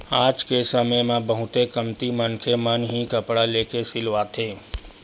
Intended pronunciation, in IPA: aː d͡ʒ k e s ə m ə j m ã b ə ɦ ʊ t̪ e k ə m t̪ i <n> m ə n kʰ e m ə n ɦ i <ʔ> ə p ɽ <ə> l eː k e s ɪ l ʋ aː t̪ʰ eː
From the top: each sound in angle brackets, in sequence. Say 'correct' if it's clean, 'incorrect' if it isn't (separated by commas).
incorrect, incorrect, incorrect